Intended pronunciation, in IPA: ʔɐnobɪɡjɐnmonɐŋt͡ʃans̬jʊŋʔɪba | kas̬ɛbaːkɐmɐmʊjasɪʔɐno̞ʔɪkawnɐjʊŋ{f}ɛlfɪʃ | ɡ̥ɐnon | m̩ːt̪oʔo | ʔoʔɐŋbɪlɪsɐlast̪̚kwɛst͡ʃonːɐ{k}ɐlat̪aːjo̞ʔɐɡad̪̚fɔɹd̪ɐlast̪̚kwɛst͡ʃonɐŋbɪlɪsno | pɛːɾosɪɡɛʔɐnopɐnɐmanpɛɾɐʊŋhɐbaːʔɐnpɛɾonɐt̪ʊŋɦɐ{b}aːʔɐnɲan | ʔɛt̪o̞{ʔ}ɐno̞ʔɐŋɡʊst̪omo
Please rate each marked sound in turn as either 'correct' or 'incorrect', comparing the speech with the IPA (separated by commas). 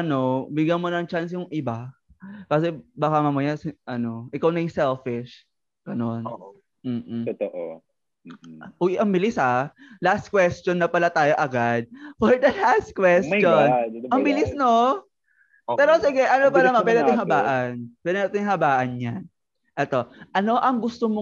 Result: incorrect, incorrect, correct, correct